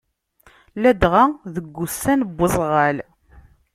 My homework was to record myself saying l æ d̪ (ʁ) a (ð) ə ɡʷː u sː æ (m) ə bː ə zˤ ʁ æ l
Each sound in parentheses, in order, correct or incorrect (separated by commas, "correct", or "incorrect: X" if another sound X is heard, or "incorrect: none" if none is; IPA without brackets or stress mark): correct, correct, incorrect: n